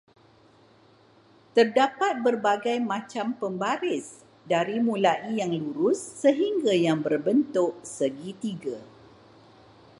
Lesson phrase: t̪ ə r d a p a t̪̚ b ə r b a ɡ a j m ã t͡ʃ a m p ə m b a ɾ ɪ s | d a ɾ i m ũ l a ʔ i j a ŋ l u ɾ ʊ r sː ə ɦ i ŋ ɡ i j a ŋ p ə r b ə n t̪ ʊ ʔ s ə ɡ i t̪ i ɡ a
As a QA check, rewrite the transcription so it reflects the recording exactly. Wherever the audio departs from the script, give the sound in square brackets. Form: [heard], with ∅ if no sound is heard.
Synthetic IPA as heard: t̪ ə r d a p a t̪̚ b ə r b a ɡ a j m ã t͡ʃ a m p ə m b a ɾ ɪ s | d a ɾ i m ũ l a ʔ i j a ŋ l u ɾ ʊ [∅] sː ə ɦ i ŋ ɡ [a] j a ŋ [b] ə r b ə n t̪ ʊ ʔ s ə ɡ i t̪ i ɡ a